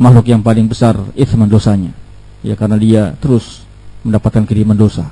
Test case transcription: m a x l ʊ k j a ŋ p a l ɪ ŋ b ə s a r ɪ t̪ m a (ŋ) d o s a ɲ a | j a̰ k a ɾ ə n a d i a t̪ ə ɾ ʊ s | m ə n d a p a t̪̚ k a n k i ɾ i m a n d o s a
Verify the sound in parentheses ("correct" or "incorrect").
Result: incorrect